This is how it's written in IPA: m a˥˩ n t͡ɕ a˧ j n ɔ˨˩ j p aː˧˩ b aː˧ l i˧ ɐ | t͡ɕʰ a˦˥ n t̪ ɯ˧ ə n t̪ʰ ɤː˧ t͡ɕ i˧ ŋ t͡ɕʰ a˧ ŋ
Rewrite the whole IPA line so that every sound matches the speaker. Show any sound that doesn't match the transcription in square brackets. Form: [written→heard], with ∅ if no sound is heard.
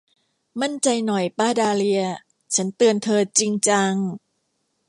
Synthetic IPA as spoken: m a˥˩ n t͡ɕ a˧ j n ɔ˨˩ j p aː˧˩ [b→d] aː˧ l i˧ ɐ | t͡ɕʰ a˦˥ n t̪ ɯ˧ ə n t̪ʰ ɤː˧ t͡ɕ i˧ ŋ [t͡ɕʰ→t͡ɕ] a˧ ŋ